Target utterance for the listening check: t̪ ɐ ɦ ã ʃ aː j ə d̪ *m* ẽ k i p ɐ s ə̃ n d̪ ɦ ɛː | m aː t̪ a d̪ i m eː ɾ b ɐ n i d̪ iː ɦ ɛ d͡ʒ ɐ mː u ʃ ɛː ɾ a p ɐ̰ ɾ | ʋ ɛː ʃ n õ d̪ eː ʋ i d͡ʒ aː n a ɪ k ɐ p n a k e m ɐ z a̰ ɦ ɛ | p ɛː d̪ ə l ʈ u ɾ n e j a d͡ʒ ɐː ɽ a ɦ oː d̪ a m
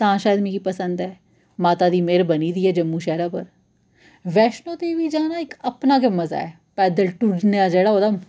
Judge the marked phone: correct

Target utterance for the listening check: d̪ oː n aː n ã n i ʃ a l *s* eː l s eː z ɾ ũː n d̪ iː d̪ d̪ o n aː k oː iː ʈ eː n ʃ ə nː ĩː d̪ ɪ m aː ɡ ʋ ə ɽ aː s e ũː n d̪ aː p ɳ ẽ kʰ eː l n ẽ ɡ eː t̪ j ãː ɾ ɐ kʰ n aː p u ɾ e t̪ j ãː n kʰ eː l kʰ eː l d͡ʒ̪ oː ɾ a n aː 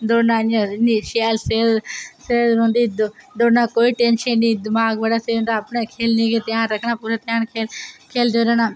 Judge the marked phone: correct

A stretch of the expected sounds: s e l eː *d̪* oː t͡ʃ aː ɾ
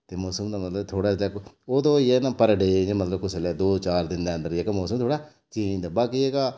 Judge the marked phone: correct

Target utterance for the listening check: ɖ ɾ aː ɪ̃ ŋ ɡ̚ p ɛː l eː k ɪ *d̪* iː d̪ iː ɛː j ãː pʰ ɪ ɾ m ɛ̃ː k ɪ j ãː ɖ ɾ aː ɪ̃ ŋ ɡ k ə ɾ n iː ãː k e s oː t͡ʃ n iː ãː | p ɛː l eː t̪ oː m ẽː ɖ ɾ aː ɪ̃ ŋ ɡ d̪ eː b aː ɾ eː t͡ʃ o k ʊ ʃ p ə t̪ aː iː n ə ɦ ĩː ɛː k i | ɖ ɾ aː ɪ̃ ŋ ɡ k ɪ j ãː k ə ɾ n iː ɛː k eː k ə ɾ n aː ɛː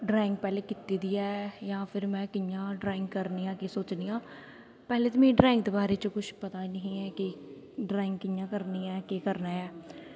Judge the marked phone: incorrect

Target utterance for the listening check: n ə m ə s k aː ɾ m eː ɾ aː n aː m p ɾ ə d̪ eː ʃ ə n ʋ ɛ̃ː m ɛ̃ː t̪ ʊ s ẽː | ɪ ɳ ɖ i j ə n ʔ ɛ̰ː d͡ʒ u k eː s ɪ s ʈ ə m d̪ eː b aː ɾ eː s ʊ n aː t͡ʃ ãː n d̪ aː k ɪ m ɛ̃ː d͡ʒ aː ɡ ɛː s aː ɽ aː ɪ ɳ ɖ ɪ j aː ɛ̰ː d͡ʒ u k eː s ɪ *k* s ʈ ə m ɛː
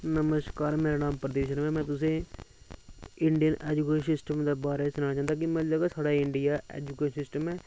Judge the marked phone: incorrect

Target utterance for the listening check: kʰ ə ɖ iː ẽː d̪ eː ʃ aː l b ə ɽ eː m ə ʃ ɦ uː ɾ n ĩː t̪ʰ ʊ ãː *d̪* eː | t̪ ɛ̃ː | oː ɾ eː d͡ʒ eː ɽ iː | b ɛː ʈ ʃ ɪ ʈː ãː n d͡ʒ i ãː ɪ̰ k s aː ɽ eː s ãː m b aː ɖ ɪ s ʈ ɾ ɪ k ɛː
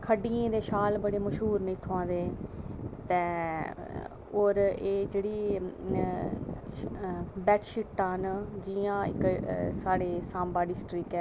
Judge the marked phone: correct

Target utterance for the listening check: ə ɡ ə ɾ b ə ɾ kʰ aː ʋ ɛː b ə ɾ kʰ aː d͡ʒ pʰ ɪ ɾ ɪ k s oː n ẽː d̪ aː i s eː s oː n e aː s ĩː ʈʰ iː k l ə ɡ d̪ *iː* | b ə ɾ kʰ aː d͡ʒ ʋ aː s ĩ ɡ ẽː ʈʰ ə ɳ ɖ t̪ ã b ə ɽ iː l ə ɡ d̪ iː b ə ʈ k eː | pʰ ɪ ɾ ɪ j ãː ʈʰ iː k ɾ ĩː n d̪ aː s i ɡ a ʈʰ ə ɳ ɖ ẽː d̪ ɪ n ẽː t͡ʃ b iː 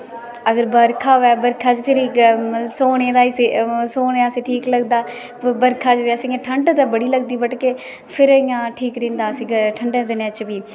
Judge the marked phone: incorrect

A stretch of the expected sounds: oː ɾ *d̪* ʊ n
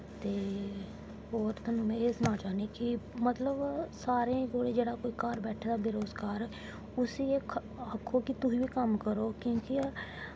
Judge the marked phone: incorrect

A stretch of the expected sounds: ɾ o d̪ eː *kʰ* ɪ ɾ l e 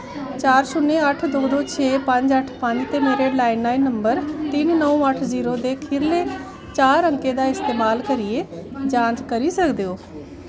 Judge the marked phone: correct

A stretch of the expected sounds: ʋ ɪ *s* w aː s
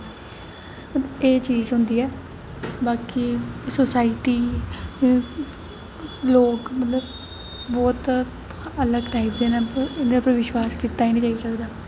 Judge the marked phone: incorrect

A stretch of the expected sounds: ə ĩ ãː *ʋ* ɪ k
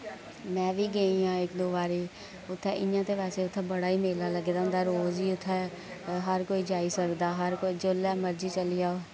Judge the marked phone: incorrect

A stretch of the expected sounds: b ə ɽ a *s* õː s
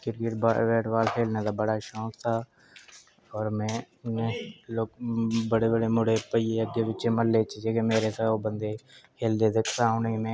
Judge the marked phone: incorrect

